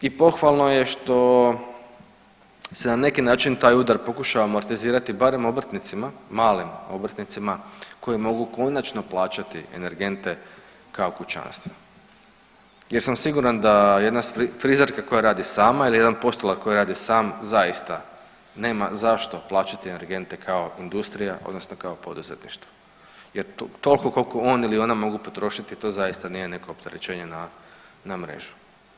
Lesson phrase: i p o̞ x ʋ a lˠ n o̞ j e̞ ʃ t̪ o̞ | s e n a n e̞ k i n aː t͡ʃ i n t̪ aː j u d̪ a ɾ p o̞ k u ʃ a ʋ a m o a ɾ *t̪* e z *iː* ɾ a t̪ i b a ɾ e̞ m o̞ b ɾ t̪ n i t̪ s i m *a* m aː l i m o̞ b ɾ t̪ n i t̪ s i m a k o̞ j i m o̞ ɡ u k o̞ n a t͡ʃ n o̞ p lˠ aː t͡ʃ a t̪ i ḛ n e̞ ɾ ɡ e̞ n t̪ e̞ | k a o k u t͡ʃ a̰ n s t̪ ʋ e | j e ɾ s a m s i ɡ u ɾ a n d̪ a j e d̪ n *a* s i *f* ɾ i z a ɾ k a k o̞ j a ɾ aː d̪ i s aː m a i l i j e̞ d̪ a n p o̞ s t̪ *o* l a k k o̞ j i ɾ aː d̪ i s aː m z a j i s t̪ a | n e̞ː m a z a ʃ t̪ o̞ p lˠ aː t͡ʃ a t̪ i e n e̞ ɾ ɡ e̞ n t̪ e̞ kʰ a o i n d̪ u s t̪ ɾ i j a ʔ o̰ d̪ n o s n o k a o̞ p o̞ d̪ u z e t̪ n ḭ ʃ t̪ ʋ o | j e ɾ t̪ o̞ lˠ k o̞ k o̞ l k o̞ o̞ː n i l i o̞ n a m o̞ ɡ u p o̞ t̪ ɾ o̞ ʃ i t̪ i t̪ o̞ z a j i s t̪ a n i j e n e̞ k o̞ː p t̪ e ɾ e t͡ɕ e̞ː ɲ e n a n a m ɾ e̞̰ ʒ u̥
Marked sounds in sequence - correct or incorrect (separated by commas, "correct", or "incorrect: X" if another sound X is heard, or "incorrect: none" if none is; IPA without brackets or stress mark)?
correct, correct, correct, correct, correct, correct